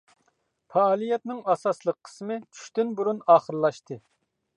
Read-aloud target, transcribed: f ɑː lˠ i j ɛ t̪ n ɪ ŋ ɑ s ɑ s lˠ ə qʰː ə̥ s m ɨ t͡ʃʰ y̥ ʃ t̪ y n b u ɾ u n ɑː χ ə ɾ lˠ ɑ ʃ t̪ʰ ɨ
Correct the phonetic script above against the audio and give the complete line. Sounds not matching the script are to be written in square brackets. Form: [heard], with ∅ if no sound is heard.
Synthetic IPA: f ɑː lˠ i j ɛ t̪ n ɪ ŋ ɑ s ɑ s lˠ ə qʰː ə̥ s m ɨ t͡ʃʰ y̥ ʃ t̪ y n b u ɾ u n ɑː χ ə ɾ lˠ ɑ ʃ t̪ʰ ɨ